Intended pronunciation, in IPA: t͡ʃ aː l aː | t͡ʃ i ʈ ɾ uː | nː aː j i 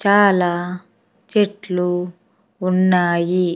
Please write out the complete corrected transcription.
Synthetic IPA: t͡ʃ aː l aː | t͡ʃ e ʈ l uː | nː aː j i